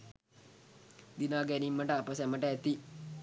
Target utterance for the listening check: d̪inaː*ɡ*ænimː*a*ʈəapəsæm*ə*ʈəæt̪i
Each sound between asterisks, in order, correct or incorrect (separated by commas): correct, incorrect, correct